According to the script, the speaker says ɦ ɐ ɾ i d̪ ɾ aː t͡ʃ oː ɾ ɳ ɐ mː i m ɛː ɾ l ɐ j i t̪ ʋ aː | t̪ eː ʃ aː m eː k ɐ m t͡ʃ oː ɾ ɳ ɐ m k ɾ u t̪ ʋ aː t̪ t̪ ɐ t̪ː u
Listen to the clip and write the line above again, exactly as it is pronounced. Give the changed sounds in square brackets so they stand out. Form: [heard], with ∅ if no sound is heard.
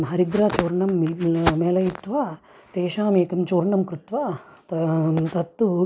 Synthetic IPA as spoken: ɦ ɐ ɾ i d̪ ɾ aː t͡ʃ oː ɾ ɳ ɐ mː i m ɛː [∅] l ɐ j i t̪ ʋ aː | t̪ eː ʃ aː m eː k ɐ m t͡ʃ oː ɾ ɳ ɐ m k ɾ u t̪ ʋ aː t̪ t̪ ɐ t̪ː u